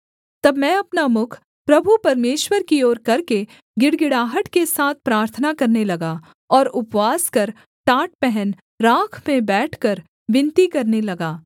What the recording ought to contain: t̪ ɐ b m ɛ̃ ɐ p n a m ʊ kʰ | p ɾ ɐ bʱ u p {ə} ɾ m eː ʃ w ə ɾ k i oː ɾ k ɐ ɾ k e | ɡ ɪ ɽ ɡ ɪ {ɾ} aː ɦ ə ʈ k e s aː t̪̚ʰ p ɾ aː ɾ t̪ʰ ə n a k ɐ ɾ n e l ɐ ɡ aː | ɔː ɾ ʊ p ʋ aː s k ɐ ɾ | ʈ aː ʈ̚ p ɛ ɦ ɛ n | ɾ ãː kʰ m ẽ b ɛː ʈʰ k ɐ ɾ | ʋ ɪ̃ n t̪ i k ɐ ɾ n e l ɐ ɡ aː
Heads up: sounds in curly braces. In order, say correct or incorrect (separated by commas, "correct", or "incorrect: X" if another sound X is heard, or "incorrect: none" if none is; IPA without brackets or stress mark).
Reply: incorrect: ɐ, incorrect: ɽ